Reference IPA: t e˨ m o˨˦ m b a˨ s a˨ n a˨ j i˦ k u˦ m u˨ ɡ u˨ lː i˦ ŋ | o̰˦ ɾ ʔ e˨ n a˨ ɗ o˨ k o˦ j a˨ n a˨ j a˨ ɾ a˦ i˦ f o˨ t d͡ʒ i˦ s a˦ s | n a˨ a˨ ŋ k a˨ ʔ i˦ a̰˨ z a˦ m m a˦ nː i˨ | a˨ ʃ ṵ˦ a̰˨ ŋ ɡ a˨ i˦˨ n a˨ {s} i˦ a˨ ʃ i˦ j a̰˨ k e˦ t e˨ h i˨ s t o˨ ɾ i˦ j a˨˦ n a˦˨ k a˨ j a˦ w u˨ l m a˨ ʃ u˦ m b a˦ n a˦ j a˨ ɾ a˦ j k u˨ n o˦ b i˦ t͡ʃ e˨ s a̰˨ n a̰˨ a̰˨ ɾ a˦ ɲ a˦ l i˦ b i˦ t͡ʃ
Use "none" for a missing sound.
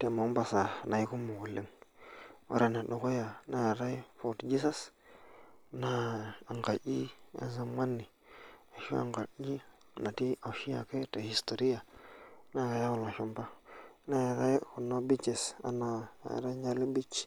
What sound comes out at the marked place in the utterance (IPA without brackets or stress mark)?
t